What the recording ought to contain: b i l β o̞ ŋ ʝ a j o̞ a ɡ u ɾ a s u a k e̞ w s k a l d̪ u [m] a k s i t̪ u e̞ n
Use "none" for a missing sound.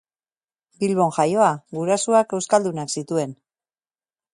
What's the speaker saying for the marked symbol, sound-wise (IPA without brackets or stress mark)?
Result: n